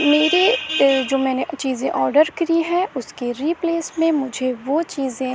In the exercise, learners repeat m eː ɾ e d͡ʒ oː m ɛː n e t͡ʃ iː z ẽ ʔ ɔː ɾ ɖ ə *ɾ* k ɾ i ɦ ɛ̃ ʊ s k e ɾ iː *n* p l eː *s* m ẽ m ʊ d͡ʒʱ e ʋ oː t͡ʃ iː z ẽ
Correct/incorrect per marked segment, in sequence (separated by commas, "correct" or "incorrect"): correct, incorrect, correct